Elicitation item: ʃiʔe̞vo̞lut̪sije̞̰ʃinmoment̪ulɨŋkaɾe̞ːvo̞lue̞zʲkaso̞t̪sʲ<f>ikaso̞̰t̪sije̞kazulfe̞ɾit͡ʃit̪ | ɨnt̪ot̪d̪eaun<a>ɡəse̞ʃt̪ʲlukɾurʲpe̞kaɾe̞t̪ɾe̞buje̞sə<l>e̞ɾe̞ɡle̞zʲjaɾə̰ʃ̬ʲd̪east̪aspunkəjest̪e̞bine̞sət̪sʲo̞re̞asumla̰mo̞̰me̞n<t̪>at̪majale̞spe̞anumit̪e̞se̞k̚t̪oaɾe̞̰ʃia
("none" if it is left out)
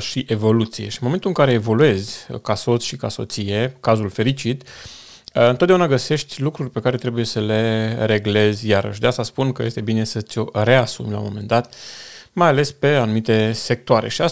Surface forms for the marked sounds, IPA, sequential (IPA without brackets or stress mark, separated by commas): ʃ, a, l, d̪